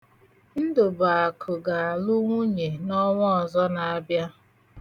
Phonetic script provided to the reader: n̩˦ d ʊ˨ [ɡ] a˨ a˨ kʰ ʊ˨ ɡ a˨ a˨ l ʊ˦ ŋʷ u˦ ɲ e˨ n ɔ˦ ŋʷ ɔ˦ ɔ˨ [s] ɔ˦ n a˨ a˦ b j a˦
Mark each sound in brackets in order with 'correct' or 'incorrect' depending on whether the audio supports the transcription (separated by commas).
incorrect, incorrect